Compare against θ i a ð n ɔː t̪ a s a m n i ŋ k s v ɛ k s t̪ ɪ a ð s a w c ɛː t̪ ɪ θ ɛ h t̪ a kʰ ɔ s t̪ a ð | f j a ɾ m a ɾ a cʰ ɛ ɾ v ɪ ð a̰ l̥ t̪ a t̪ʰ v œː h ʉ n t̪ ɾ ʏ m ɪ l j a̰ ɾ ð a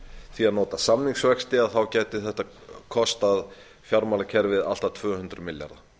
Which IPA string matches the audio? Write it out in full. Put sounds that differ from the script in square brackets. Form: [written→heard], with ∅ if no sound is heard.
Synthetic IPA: θ i a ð n ɔː t̪ a s a m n i ŋ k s v ɛ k s t̪ ɪ a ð [s→θ] a w c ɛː t̪ ɪ θ ɛ h t̪ a kʰ ɔ s t̪ a ð | f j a ɾ m a [ɾ→l] a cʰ ɛ ɾ v ɪ ð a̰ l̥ t̪ a t̪ʰ v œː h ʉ n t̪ ɾ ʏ m ɪ l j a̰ ɾ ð a

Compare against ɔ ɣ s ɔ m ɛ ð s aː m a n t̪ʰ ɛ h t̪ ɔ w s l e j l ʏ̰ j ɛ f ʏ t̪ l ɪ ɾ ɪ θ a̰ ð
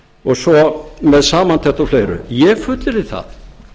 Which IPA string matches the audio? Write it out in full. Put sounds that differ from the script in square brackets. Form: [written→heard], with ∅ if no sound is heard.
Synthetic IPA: ɔ ɣ s ɔ m ɛ ð s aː m a n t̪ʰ ɛ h t̪ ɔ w [s→f] l e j [l→ɾ] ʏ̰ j ɛ f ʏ t̪ l ɪ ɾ ɪ θ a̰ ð

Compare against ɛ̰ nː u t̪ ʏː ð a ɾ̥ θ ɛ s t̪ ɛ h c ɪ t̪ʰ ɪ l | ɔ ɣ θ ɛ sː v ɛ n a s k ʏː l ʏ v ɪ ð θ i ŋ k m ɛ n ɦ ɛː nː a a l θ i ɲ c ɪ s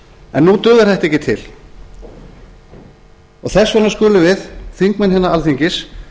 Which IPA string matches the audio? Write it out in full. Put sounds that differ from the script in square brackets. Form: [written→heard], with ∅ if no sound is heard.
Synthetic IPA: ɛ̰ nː u t̪ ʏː ð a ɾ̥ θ ɛ [s→h] t̪ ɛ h c ɪ t̪ʰ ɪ l | ɔ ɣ θ ɛ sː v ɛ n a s k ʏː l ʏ v ɪ ð θ i ŋ k m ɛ n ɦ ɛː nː a a l θ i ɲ c ɪ s

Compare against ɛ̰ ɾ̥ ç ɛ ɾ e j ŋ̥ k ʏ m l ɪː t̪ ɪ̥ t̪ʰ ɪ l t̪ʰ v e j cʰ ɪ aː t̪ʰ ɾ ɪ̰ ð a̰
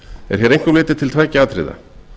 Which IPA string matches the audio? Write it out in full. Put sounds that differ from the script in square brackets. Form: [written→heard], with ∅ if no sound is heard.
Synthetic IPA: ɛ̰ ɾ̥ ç ɛ ɾ e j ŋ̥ k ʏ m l ɪː t̪ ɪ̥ t̪ʰ ɪ l t̪ʰ v [e→a] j [cʰ→c] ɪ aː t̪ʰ ɾ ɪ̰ ð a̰

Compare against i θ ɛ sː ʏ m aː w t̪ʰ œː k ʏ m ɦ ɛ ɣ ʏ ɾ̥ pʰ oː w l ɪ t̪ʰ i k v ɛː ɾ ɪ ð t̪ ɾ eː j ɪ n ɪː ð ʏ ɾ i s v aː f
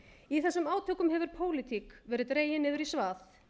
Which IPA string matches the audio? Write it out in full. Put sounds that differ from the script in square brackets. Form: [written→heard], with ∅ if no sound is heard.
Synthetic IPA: i θ ɛ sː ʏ m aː w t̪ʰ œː k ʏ m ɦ ɛ [ɣ→v] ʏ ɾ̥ pʰ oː w l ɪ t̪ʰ i k v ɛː ɾ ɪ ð t̪ ɾ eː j ɪ n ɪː ð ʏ ɾ i s v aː [f→θ]

